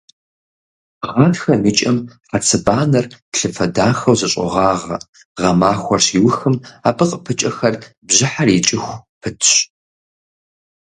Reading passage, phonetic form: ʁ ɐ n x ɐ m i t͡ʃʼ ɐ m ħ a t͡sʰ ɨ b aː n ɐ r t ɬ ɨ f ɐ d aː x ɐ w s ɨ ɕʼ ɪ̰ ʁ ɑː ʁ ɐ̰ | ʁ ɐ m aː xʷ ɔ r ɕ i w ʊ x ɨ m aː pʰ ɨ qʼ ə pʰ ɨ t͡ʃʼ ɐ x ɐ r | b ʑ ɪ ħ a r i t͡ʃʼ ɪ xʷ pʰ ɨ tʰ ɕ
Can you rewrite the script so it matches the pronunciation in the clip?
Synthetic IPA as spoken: ʁ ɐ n x ɐ m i t͡ʃʼ ɐ m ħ a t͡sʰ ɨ b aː n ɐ r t ɬ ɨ f ɐ d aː x ɐ w z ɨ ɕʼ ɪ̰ ʁ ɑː ʁ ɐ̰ | ʁ ɐ m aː xʷ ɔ r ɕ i w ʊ x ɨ m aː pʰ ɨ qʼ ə pʰ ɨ t͡ʃʼ ɐ x ɐ r | b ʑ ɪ ħ a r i t͡ʃʼ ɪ xʷ pʰ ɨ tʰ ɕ